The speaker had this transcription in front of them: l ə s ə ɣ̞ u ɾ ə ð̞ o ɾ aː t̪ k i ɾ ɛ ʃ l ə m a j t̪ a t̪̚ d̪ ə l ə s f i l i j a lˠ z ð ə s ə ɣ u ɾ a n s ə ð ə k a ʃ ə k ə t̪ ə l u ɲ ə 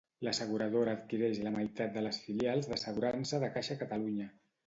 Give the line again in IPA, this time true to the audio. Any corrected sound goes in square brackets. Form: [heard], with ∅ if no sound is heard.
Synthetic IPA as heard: l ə s ə ɣ̞ u ɾ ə ð̞ o ɾ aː t̪ k i ɾ ɛ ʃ l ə m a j t̪ a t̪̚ d̪ ə l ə s f i l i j a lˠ z ð ə s ə ɣ u ɾ a n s ə ð ə k a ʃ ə k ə t̪ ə l u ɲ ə